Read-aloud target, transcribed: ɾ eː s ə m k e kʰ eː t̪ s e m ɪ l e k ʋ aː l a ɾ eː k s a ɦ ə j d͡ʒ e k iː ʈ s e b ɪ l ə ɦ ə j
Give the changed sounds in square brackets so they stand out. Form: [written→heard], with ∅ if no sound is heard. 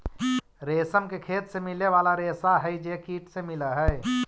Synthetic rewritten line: ɾ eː s ə m k e kʰ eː t̪ s e m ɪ l e [k→∅] ʋ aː l a ɾ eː [k→∅] s a ɦ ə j d͡ʒ e k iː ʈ s e [b→m] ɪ l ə ɦ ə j

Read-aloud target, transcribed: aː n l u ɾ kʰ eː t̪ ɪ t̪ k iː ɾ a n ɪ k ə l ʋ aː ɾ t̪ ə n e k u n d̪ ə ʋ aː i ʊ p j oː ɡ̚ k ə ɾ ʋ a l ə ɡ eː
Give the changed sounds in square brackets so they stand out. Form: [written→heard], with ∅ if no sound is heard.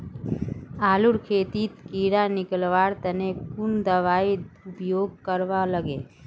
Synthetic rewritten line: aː [n→∅] l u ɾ kʰ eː t̪ [ɪ→i] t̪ k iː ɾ a n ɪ k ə l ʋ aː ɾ t̪ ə n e k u n d̪ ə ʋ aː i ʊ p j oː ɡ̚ k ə ɾ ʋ a l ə ɡ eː

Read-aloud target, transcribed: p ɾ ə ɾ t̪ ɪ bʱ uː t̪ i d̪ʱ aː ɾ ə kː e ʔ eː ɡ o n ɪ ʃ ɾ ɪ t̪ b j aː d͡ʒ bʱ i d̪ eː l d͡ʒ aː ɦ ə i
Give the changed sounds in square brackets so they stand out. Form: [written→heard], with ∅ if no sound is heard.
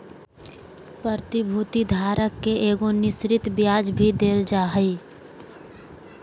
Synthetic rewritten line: p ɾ ə ɾ t̪ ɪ bʱ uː t̪ i d̪ʱ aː ɾ ə kː e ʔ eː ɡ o n ɪ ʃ ɾ ɪ t̪ b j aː d͡ʒ bʱ i d̪ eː l d͡ʒ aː ɦ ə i

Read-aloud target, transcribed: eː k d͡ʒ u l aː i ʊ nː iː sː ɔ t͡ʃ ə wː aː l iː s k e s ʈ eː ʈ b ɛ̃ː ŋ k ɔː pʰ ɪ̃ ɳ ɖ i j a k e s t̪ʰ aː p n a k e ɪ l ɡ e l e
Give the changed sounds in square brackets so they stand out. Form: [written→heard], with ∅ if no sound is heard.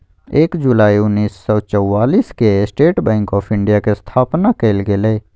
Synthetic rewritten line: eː k d͡ʒ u l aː i ʊ nː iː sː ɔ t͡ʃ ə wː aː l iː s k e s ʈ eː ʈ b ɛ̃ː ŋ k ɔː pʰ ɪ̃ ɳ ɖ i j a k e s t̪ʰ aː p n a k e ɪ l ɡ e l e

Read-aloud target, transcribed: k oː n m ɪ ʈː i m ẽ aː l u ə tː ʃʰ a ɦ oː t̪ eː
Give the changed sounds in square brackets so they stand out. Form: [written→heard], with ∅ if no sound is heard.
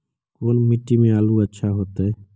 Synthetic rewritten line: k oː n m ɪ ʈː i m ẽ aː l u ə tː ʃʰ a ɦ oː t̪ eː

